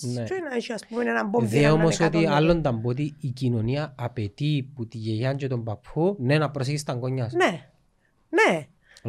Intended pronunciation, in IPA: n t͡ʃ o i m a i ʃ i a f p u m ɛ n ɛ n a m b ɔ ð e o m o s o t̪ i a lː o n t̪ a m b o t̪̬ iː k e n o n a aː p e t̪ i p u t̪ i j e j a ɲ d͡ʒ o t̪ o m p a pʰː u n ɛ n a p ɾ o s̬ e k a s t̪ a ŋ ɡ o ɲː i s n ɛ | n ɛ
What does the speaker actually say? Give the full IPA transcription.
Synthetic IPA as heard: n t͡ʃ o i n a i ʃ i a s p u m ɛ n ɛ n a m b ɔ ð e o m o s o t̪ i a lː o n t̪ a m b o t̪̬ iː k i n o n i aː p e t̪ i p u t̪ i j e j a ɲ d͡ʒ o t̪ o m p a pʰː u n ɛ n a p ɾ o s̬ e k i s t̪ a ŋ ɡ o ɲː a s n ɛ | n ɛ